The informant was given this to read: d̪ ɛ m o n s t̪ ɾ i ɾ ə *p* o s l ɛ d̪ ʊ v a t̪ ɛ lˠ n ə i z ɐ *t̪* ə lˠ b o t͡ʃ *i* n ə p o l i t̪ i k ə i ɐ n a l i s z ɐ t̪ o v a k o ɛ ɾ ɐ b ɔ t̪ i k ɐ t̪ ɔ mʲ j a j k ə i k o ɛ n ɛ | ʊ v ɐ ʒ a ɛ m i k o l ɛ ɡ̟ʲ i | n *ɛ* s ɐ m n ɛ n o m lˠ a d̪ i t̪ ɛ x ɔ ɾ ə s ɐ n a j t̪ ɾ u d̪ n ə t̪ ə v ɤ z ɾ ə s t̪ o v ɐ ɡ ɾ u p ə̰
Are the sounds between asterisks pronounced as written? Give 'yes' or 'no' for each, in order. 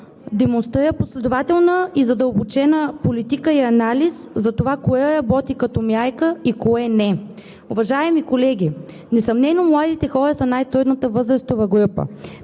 yes, no, no, yes

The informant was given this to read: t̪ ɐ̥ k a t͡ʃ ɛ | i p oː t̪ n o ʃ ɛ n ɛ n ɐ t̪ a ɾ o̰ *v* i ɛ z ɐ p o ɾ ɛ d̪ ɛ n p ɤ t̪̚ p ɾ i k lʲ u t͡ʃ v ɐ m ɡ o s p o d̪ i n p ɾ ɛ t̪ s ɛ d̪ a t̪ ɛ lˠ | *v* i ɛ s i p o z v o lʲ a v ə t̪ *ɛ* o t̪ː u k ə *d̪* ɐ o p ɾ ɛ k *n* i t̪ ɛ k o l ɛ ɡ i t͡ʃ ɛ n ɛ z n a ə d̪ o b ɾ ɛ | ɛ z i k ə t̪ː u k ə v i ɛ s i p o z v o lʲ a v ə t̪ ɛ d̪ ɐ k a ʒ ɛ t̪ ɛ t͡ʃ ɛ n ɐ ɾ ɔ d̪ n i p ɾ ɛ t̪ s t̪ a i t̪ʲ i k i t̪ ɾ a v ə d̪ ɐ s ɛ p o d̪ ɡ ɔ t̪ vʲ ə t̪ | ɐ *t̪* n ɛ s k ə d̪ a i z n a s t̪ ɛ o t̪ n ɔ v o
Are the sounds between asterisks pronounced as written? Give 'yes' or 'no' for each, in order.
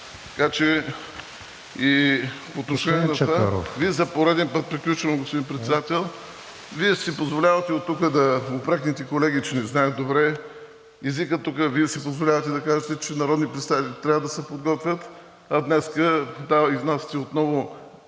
yes, yes, yes, yes, yes, no

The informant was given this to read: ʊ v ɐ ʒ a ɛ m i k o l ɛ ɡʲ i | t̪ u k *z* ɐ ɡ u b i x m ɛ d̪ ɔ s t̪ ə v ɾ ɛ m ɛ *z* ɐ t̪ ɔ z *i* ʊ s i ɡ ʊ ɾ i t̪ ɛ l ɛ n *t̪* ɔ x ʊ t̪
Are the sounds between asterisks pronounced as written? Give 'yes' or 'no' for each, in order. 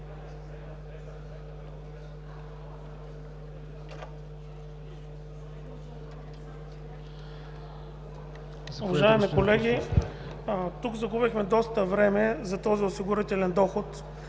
yes, yes, yes, no

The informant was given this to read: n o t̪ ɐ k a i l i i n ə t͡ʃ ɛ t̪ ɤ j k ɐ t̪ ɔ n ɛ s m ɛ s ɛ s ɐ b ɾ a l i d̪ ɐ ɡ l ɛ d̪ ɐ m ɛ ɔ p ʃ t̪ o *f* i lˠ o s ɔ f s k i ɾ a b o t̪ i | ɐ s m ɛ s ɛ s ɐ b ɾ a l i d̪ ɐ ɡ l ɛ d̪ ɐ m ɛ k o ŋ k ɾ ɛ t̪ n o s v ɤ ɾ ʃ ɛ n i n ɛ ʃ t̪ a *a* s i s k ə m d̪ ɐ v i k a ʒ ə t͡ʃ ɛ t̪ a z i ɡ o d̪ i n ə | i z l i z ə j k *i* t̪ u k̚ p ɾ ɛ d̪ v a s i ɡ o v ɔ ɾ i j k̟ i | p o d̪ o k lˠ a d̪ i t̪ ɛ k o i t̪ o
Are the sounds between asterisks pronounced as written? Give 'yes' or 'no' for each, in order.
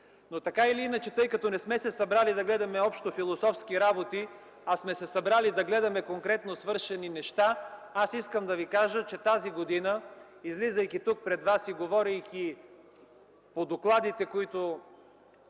yes, yes, yes

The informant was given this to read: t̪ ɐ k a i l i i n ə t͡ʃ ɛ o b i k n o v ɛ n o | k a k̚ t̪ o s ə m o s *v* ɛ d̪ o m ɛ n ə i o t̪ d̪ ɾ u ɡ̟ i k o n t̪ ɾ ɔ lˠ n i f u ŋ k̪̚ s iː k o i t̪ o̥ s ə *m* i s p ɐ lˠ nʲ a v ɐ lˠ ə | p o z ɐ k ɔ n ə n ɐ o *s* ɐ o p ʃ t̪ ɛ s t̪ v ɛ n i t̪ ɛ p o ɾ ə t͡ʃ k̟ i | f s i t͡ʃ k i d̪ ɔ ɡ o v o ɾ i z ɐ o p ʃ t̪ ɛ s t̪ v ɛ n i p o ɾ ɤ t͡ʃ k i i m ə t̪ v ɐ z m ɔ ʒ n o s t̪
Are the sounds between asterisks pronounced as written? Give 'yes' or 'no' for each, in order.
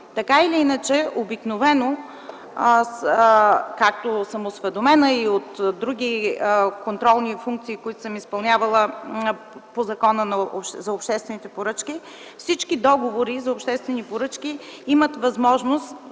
yes, yes, no

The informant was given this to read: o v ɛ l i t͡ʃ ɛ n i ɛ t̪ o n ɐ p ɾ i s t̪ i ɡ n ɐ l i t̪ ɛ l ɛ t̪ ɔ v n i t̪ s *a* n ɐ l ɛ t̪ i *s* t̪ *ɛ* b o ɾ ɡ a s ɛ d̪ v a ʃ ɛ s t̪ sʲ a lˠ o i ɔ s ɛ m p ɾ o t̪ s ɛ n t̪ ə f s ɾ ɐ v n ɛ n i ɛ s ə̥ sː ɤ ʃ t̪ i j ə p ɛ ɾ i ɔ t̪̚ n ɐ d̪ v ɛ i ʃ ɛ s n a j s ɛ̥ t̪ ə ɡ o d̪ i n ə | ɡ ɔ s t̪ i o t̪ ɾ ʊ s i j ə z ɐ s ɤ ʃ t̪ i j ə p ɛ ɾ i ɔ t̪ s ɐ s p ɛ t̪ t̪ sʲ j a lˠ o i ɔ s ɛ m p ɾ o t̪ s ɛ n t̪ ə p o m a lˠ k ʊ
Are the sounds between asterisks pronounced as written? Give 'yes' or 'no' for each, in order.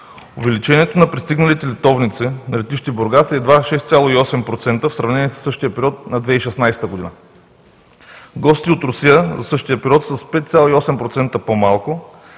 no, no, no

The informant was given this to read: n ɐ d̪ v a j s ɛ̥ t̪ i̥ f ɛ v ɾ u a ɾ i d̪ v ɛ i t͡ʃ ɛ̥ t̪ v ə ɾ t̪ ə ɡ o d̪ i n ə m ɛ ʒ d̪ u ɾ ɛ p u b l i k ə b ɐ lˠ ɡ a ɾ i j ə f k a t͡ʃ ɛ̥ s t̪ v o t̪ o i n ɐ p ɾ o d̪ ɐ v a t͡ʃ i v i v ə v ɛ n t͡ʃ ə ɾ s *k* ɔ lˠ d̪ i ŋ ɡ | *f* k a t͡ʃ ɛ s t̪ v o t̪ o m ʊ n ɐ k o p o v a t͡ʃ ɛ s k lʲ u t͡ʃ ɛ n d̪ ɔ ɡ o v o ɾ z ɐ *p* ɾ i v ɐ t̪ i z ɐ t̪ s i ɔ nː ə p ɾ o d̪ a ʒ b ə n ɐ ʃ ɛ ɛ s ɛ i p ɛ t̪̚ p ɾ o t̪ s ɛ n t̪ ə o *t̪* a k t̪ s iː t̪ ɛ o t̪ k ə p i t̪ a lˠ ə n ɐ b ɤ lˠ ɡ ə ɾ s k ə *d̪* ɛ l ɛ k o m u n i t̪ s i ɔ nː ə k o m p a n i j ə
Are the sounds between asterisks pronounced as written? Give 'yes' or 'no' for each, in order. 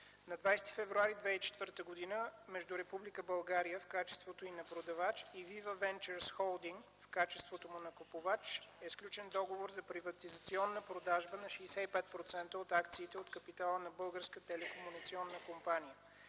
no, yes, yes, yes, no

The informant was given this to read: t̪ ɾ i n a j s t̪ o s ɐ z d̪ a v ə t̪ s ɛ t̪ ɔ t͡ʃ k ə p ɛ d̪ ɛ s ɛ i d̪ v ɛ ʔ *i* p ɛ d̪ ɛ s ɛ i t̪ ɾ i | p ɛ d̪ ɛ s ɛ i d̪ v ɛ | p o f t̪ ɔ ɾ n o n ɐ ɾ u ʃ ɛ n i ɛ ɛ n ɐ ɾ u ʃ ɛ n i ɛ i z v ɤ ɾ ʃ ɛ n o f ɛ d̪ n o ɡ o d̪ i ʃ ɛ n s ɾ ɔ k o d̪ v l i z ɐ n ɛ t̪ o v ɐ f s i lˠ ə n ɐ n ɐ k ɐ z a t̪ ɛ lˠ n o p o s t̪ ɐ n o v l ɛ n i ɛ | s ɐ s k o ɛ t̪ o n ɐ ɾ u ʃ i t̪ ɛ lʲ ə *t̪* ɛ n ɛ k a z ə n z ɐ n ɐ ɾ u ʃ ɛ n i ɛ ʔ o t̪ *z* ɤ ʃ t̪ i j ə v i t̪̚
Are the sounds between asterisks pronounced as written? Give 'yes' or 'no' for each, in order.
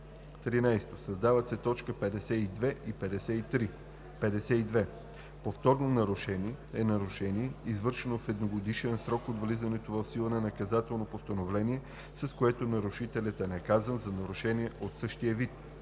yes, yes, no

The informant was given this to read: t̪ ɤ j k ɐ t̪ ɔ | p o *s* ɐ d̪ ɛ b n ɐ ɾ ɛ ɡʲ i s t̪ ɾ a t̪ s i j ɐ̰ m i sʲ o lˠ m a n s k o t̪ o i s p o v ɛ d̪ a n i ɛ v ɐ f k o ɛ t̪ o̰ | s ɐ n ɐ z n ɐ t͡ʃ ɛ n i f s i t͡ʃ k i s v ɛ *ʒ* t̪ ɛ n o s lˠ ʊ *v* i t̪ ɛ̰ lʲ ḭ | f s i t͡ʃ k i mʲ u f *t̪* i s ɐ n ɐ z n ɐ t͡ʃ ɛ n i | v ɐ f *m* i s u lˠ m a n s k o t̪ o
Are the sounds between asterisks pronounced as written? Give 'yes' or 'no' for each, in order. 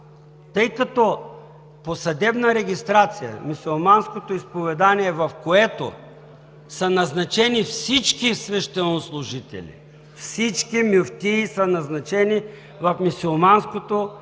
yes, no, no, yes, yes

